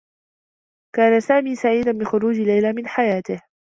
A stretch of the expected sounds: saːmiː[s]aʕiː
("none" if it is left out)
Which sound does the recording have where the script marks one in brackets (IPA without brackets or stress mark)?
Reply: s